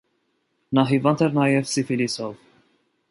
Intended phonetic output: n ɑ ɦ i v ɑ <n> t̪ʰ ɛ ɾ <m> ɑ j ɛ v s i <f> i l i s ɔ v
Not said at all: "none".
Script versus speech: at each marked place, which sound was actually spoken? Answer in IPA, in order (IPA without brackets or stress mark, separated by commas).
n, n, f